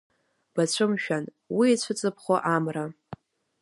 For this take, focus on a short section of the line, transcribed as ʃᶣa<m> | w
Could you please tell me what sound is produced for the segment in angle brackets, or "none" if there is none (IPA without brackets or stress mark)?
n